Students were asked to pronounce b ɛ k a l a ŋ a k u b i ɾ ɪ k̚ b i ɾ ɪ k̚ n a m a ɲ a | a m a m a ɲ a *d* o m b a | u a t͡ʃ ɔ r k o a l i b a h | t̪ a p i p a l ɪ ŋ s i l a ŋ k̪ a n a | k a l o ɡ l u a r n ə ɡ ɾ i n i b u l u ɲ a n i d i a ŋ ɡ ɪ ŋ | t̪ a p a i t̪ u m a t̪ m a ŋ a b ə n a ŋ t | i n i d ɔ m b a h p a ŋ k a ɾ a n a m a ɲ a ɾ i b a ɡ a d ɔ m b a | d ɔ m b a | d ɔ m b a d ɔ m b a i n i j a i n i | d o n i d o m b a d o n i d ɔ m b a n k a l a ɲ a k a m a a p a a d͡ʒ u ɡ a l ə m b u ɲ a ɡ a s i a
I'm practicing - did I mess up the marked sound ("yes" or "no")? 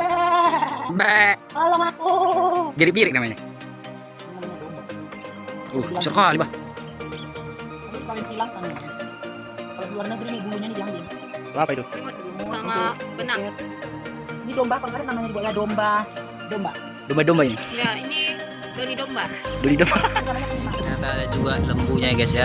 no